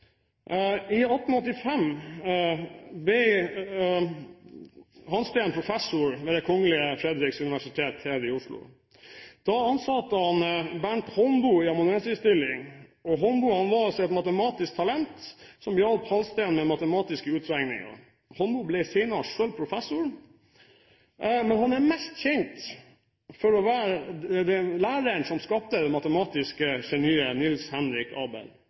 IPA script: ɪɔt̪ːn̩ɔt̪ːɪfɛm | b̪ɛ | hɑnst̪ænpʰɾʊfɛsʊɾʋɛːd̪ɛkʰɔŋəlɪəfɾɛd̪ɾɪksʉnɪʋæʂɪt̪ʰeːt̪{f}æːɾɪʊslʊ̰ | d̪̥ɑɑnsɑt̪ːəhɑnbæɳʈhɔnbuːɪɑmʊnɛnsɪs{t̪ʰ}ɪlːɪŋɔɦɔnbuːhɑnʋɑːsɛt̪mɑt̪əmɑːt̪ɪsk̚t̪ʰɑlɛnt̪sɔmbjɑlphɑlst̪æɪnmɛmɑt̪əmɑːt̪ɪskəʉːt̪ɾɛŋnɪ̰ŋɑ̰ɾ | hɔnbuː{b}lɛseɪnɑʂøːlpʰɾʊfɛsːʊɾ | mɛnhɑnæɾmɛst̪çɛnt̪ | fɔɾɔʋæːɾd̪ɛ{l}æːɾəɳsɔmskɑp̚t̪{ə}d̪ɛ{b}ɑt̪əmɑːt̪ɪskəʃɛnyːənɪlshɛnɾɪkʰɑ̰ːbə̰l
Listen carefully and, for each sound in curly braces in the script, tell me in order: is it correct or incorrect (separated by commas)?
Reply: incorrect, incorrect, correct, correct, correct, incorrect